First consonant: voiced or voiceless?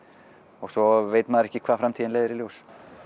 voiced